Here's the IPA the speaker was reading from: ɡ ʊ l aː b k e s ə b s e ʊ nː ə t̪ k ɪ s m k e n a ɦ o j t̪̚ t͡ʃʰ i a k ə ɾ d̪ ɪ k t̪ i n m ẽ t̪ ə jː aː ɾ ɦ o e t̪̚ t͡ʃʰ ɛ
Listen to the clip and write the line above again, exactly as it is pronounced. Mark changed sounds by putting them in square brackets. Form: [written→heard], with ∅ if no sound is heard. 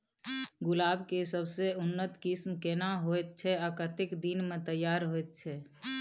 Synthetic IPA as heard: ɡ ʊ l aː b k e s ə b s e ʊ nː ə t̪ k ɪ s m k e n a ɦ o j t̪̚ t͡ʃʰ [i→ɛ] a k ə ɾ [d̪→t̪] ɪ k [t̪→d̪] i n m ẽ t̪ ə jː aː ɾ ɦ o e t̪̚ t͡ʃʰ ɛ